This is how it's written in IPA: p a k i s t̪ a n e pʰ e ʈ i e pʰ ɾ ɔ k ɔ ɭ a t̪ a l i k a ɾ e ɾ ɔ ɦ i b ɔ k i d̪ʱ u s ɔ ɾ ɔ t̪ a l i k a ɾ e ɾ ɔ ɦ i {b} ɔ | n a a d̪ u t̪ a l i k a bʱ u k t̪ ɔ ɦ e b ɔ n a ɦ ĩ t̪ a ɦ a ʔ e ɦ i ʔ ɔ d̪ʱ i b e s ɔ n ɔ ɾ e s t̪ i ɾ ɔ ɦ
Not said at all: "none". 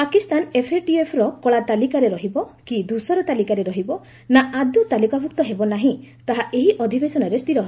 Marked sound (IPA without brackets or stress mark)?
b